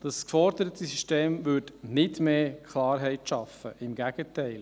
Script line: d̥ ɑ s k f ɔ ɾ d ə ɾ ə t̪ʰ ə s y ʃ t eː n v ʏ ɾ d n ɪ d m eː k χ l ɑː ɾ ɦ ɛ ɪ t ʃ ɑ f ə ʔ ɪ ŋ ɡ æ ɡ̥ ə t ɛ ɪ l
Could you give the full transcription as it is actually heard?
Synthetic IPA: d̥ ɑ s k f ɔ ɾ d ə ɾ ə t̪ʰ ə s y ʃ t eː m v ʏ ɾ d n ɪ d m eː k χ l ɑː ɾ ɦ ɛ ɪ t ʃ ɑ f ə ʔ ɪ m ɡ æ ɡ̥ ə t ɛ ɪ l